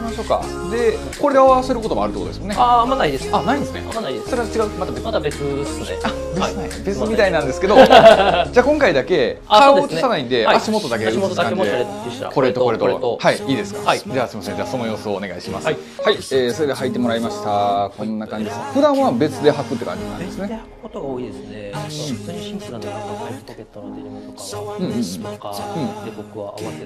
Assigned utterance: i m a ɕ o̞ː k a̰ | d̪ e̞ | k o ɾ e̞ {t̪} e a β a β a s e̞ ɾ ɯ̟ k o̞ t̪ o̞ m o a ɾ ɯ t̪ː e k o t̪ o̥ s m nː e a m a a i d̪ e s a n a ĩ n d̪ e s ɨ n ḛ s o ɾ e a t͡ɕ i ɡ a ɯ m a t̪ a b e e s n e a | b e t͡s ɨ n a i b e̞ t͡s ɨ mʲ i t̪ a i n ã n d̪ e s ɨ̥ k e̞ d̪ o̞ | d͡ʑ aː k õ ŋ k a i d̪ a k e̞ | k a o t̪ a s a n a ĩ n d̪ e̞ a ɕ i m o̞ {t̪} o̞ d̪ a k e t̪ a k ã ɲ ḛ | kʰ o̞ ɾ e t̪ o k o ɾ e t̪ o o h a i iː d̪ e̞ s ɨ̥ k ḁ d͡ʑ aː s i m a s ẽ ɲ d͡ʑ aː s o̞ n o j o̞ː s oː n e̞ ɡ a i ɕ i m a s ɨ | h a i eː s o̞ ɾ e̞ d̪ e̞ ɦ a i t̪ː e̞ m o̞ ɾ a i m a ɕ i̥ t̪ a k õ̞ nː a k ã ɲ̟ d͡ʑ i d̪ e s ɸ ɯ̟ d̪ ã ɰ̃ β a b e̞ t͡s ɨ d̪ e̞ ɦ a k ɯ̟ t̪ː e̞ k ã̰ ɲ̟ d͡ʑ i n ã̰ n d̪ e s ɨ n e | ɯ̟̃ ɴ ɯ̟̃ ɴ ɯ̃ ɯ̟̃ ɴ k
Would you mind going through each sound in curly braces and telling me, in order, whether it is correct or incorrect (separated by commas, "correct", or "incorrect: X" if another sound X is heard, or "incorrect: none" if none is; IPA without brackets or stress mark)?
incorrect: d̪, correct